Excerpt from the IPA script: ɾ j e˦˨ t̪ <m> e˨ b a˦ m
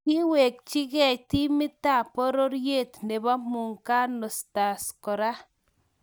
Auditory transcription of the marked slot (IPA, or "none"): n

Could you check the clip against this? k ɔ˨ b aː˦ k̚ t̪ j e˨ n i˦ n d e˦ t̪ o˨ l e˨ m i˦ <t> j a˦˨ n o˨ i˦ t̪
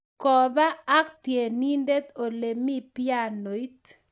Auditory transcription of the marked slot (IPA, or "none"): p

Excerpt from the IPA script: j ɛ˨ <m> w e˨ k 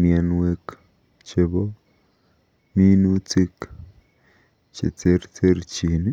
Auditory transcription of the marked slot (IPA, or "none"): n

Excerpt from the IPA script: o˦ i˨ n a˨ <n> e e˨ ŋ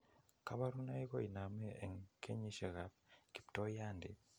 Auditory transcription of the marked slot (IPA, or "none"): m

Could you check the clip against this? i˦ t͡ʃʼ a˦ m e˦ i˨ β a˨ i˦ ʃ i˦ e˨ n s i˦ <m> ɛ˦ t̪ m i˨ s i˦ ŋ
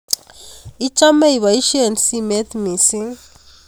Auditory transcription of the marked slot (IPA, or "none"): m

